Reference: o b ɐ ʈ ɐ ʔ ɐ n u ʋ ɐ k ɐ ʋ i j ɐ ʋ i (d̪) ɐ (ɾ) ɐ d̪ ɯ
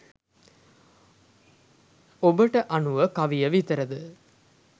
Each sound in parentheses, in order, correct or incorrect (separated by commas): incorrect, correct